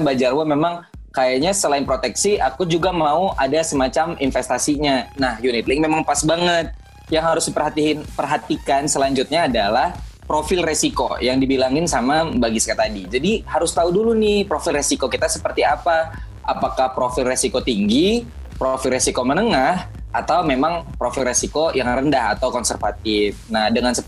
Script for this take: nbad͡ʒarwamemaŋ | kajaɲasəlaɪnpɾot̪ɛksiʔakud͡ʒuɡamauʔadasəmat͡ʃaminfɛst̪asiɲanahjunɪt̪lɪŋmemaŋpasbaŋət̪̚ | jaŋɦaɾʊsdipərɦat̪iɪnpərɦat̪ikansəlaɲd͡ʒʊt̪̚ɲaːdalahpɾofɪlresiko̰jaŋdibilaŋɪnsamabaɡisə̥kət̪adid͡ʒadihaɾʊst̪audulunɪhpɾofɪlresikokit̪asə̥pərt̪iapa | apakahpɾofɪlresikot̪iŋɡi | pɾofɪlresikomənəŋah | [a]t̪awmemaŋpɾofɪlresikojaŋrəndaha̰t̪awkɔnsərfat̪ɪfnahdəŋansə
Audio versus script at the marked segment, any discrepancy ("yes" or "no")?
no